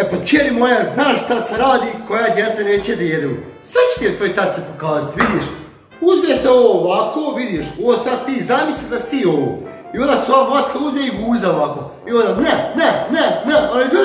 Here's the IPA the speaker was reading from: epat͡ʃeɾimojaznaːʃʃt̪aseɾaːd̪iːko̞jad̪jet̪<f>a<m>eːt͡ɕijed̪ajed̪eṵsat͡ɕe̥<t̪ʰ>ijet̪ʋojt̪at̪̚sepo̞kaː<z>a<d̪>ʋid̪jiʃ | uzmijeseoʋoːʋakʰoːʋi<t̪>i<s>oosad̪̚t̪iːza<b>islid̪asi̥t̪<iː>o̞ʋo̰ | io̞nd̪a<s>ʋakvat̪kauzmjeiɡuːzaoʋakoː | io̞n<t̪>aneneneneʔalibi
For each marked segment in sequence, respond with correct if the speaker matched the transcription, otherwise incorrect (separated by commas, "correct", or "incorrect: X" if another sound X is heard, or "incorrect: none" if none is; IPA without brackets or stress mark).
incorrect: s, incorrect: n, incorrect: t̪, correct, incorrect: t̪, incorrect: d̪, incorrect: ʃ, incorrect: m, correct, correct, incorrect: d̪